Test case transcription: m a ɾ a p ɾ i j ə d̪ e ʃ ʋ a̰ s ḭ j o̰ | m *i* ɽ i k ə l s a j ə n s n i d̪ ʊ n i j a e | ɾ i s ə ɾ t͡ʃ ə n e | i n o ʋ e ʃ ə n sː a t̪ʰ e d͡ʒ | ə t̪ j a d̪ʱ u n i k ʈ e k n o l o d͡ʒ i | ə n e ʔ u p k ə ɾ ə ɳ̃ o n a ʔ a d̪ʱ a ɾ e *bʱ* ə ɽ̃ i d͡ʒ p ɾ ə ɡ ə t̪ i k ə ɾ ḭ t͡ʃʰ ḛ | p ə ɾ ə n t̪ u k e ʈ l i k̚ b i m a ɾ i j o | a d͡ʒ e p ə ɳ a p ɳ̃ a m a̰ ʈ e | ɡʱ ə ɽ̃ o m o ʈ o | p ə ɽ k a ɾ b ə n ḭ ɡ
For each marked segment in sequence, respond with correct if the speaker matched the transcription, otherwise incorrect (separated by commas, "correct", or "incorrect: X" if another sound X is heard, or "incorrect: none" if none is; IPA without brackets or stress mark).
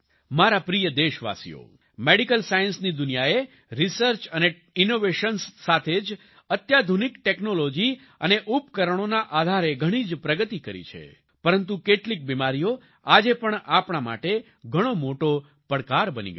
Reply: incorrect: e, incorrect: ɡʱ